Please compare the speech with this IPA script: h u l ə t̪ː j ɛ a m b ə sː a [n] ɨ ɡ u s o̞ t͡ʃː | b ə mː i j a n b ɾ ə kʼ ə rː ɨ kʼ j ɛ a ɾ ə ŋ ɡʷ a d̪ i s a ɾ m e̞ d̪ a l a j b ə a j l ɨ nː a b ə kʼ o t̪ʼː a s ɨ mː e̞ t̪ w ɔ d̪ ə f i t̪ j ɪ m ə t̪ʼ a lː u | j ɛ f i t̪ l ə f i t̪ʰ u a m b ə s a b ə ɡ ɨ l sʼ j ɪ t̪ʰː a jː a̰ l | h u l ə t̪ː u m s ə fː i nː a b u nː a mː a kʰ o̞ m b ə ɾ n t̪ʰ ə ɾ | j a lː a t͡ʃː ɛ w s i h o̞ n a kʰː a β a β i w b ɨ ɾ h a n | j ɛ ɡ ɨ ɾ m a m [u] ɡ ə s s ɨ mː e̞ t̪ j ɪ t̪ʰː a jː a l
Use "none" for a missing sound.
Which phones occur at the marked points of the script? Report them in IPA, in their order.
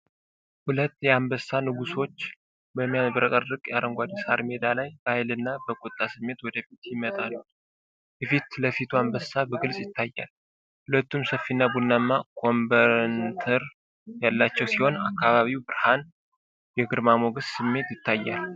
n, o

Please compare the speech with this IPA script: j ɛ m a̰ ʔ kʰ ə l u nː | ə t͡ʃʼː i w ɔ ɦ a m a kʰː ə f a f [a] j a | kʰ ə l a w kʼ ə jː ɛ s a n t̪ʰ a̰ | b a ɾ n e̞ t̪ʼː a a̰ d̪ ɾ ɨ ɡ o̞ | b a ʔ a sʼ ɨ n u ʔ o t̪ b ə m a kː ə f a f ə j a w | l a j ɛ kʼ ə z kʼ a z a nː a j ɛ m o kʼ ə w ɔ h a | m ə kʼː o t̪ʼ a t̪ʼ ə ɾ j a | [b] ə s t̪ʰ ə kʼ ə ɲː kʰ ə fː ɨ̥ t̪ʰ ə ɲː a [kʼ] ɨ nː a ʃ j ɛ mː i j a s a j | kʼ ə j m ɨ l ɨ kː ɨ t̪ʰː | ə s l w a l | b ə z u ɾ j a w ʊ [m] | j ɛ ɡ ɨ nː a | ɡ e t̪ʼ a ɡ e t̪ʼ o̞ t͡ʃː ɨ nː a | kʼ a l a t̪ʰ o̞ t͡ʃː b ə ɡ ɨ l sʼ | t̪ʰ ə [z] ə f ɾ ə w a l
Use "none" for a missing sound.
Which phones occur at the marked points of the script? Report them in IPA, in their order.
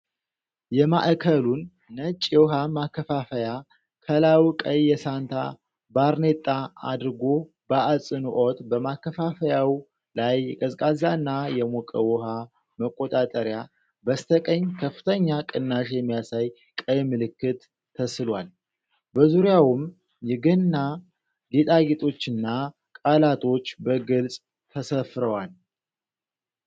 ə, b, kʼ, m, s

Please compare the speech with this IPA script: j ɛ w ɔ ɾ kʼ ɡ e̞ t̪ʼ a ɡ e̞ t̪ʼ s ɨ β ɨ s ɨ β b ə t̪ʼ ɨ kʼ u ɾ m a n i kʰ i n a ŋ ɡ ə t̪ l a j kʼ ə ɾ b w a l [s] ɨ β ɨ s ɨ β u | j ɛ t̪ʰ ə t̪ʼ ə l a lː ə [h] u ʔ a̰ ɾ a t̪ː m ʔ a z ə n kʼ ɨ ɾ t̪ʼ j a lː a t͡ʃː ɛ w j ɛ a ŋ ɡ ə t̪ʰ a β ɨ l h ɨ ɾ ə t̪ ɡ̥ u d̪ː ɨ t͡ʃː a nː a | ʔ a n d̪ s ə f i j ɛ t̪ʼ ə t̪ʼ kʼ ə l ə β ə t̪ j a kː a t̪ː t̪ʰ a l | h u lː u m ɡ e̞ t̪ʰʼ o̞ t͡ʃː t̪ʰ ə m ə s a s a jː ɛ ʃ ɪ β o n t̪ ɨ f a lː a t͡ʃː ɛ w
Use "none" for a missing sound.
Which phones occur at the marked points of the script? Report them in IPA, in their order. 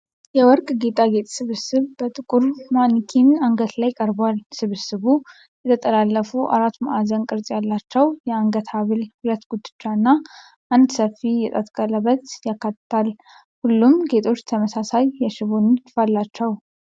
s, f

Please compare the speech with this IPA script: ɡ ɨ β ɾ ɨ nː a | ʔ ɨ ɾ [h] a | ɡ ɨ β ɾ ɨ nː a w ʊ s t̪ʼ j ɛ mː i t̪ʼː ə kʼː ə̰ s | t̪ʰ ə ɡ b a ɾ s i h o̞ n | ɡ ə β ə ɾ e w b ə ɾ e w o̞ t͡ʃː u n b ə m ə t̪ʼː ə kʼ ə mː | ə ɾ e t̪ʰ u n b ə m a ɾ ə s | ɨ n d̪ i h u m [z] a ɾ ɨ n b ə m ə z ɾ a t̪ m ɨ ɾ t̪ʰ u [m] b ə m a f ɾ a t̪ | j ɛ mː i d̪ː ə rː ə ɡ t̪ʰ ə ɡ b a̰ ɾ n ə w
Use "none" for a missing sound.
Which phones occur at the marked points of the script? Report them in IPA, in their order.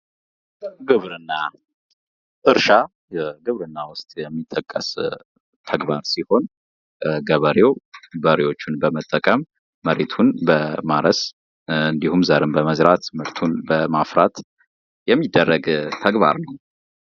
ʃ, z, n

